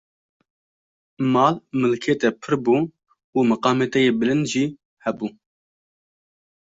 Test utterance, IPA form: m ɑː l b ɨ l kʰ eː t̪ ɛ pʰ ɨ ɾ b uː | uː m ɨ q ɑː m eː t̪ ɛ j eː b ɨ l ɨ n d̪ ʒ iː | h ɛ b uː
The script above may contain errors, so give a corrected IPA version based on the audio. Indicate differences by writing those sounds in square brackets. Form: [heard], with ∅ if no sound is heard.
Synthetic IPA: m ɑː l [m] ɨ l kʰ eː t̪ ɛ pʰ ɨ ɾ b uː | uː m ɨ q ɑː m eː t̪ ɛ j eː b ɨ l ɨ n d̪ ʒ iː | h ɛ b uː